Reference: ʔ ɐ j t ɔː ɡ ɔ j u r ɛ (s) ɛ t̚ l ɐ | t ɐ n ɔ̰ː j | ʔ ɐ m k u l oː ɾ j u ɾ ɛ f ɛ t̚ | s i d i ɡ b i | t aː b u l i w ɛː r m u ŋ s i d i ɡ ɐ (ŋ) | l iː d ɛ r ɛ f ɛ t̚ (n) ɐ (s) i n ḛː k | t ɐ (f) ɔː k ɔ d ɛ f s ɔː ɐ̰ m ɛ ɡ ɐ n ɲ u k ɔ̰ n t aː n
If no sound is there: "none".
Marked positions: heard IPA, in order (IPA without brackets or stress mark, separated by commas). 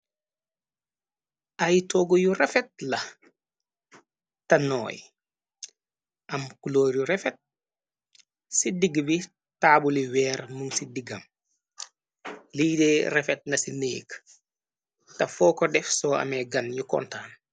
f, m, n, s, f